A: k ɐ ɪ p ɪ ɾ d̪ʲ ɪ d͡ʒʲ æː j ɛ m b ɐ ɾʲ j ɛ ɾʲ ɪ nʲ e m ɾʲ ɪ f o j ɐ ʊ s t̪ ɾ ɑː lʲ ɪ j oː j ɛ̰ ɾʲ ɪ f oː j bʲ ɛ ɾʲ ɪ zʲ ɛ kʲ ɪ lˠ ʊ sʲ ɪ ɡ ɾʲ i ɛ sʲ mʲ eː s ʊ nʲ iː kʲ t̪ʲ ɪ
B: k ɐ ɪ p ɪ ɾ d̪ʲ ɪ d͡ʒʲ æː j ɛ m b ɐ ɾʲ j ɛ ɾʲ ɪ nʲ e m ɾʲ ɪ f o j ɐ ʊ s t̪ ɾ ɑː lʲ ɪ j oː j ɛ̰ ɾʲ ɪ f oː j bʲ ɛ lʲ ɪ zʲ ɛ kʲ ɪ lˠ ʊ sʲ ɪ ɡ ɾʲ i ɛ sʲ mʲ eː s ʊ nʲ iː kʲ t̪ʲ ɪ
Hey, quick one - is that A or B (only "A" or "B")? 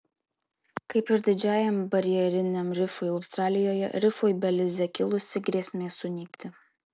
B